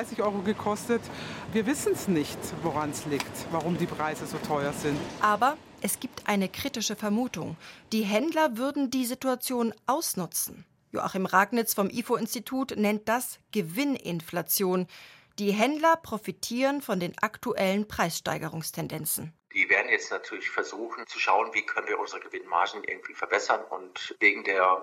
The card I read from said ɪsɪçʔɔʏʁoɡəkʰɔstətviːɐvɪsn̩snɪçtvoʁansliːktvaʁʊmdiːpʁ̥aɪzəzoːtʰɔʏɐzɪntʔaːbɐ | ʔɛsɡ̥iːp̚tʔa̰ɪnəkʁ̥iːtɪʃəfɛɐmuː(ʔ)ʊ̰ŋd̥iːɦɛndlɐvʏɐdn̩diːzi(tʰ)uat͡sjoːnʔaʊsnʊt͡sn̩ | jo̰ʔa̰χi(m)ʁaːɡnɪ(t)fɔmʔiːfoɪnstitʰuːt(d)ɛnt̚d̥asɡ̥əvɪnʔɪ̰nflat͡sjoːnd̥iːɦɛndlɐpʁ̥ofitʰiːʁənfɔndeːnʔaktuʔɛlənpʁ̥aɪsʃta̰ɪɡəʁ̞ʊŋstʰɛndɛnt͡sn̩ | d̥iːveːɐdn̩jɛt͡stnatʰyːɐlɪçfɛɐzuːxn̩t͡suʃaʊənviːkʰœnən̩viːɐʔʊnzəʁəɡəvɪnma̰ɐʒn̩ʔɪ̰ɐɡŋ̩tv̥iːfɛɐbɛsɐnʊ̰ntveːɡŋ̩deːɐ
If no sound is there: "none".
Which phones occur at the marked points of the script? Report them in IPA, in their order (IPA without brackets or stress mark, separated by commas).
t, t, m, t͡s, n